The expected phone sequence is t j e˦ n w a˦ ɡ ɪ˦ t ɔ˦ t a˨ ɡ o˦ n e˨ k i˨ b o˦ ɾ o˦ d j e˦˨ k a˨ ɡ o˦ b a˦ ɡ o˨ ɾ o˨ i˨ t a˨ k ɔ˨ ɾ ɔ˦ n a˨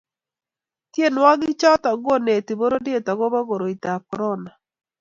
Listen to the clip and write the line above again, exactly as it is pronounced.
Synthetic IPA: t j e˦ n w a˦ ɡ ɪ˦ t͡ʃ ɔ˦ t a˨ ɡ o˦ n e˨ t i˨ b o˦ ɾ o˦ d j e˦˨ t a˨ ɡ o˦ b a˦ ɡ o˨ ɾ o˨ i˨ t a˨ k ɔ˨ ɾ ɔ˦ n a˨